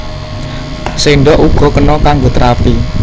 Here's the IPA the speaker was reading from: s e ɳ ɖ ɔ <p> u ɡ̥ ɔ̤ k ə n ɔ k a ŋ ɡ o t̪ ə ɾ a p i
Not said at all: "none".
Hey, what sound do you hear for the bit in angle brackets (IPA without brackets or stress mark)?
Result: ʔ